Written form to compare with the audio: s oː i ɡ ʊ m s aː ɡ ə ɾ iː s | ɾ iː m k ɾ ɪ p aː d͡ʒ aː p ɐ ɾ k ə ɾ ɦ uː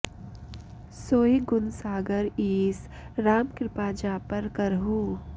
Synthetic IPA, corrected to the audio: s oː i ɡ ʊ n s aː ɡ ə ɾ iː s | ɾ aː m k ɾ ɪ p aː d͡ʒ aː p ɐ ɾ k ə ɾ ɦ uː